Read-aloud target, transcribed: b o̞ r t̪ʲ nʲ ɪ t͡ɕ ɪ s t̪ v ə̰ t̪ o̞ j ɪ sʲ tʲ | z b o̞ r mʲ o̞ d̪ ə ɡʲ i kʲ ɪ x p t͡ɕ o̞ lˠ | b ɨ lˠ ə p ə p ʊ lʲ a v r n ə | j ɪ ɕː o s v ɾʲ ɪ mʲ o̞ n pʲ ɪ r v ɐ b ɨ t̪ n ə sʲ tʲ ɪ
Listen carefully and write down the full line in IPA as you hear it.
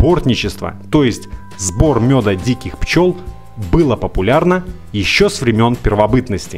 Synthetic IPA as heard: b o̞ r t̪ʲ nʲ ɪ t͡ɕ ɪ s t̪ v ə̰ t̪ o̞ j ɪ sʲ tʲ | z b o̞ r mʲ o̞ d̪ ə dʲ i kʲ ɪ x p t͡ɕ o̞ lˠ | b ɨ lˠ ə p ə p ʊ lʲ a r n ə | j ɪ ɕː o s v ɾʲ ɪ mʲ o̞ n pʲ ɪ r v ɐ b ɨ t̪ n ə sʲ tʲ ɪ

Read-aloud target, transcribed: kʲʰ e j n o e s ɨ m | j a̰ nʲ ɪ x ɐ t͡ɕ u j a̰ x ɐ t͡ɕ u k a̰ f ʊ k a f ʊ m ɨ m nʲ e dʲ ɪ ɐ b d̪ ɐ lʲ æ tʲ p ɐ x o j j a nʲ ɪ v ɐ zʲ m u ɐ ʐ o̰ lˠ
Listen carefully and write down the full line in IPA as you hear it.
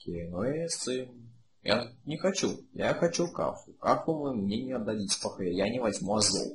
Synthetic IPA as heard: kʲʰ e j n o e s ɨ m | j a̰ nʲ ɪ x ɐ t͡ɕ u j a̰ x ɐ t͡ɕ u k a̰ f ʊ k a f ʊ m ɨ m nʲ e nʲ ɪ ɐ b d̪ ɐ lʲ i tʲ p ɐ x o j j a nʲ ɪ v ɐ zʲ m u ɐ z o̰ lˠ

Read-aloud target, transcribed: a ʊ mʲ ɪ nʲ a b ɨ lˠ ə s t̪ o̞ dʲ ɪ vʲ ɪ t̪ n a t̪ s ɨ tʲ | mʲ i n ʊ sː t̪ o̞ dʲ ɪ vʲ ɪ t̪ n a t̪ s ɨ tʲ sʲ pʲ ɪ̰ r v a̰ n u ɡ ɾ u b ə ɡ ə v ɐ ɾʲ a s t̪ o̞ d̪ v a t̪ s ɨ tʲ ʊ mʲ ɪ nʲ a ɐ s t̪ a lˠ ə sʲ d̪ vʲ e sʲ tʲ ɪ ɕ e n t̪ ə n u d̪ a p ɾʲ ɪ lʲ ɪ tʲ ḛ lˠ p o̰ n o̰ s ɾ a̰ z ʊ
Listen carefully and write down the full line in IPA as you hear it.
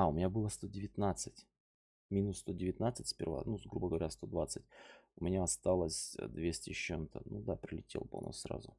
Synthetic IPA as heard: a ʊ mʲ ɪ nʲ a b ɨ lˠ ə s t̪ o̞ dʲ ɪ vʲ ɪ t̪ n a t̪ s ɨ tʲ | mʲ i n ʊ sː t̪ o̞ dʲ ɪ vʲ ɪ t̪ n a t̪ s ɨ tʲ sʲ pʲ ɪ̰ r v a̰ n u ɡ ɾ u b ə ɡ ə v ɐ ɾʲ a s t̪ o̞ d̪ v a t̪ s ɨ tʲ ʊ mʲ ɪ nʲ a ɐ s t̪ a lˠ ə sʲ d̪ vʲ e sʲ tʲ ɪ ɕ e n t̪ ə n u d̪ a p ɾʲ ɪ lʲ ɪ tʲ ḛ lˠ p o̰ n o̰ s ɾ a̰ z ʊ

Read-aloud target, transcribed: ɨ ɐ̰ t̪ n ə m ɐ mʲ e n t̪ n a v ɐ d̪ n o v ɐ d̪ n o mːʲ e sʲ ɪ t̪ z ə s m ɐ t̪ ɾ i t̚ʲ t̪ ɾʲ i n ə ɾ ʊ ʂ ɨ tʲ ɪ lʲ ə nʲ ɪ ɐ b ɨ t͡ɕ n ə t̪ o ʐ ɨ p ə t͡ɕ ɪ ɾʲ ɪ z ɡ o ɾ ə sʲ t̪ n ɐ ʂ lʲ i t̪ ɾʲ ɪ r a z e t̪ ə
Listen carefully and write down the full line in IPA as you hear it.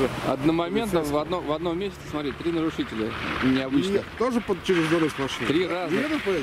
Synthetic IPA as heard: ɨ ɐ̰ d̪ n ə m ɐ mʲ e n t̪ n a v ɐ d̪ n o v ɐ d̪ n o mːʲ e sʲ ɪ t̪ s ə s m ɐ t̪ ɾ i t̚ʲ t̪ ɾʲ i n ə ɾ ʊ ʂ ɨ tʲ ɪ lʲ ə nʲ ɪ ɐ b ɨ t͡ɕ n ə t̪ o ʐ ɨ p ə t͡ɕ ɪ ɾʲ ɪ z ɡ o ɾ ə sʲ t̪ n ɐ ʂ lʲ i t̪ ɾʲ i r a z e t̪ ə

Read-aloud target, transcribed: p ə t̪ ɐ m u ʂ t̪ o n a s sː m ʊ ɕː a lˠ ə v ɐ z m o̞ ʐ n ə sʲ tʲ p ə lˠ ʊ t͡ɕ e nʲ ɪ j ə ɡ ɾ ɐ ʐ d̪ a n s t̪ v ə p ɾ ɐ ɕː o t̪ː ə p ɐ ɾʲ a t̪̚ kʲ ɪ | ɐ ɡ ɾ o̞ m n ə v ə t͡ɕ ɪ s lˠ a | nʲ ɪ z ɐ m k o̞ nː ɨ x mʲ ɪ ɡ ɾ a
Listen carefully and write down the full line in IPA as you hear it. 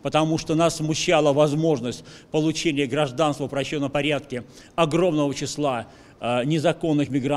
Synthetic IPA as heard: p ə t̪ ɐ m u ʂ t̪ o n a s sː m ʊ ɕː a lˠ ə v ɐ z m o̞ ʐ n ə sʲ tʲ p ə lˠ ʊ t͡ɕ e nʲ ɪ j ə ɡ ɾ ɐ ʐ d̪ a n s t̪ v ə p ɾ ɐ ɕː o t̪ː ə p ɐ ɾʲ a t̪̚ kʲ ɪ | ɐ ɡ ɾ o̞ m n ə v ə t͡ɕ ɪ s lˠ a | nʲ ɪ z ɐ k o̞ nː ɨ x mʲ ɪ ɡ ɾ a

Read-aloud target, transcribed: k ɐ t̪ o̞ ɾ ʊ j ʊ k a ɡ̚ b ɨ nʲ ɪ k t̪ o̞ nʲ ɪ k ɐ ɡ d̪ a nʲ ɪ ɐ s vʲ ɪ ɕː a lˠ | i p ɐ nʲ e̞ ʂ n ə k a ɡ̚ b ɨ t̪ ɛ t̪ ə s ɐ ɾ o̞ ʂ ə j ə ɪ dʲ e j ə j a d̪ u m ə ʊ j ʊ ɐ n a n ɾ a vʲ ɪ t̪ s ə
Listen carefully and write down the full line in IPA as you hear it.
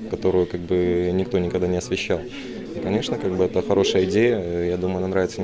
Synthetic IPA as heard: k ɐ t̪ o̞ ɾ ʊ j ʊ k a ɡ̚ b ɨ nʲ ɪ k t̪ o̞ nʲ ɪ k ɐ ɡ d̪ a nʲ ɪ ɐ s vʲ ɪ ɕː a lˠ | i k ɐ nʲ e̞ ʂ n ə k a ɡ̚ b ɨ ɛ t̪ ə x ɐ ɾ o̞ ʂ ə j ə ɪ dʲ e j ə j a d̪ u m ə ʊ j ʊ ɐ n a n ɾ a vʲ ɪ t̪ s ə

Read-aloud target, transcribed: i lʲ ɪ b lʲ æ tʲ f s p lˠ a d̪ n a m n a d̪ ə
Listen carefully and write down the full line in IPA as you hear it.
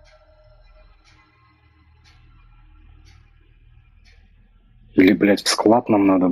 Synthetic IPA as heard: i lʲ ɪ b lʲ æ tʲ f s k lˠ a t̪ n a m n a d̪ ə

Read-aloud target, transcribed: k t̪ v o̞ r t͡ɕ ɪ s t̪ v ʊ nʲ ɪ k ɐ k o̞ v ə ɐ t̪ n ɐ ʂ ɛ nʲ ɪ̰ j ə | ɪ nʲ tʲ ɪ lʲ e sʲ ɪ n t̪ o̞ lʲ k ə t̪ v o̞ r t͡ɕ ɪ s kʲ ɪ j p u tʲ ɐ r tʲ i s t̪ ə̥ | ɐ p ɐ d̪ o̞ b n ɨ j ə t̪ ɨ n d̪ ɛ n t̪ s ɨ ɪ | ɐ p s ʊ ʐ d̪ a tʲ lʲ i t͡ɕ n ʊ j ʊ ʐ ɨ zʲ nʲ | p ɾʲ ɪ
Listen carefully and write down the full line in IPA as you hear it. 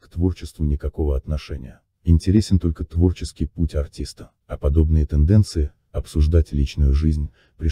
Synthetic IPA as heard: k t̪ v o̞ r t͡ɕ ɪ s t̪ v ʊ nʲ ɪ k ɐ k o̞ v ə ɐ t̪ n ɐ ʂ ɛ nʲ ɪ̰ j ə | ɪ nʲ tʲ ɪ ɾʲ e sʲ ɪ n t̪ o̞ lʲ k ə t̪ v o̞ r t͡ɕ ɪ s kʲ ɪ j p u tʲ ɐ r tʲ i s t̪ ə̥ | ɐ p ɐ d̪ o̞ b n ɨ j ə t̪ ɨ n d̪ ɛ n t̪ s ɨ ɪ | ɐ p s ʊ ʐ d̪ a tʲ lʲ i t͡ɕ n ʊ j ʊ ʐ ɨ zʲ nʲ | p ɾʲ ɪ

